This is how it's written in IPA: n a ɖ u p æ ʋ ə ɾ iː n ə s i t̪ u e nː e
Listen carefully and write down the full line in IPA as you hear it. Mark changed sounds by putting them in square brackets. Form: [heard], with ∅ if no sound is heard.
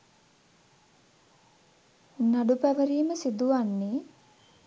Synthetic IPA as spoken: n a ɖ u p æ ʋ ə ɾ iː [m] ə s i [d̪] u [a] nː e